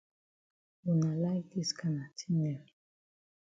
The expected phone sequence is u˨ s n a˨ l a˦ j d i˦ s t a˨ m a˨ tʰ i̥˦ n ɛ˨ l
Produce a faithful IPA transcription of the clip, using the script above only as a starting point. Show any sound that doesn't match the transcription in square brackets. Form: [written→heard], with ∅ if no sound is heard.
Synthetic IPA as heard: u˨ [s→∅] n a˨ l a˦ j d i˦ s [t→k] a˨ [m→n] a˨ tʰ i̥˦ n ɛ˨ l